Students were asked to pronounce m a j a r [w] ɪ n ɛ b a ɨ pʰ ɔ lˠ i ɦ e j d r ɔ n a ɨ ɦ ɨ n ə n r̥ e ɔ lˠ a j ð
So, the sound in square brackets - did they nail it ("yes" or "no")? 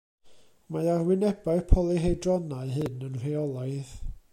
yes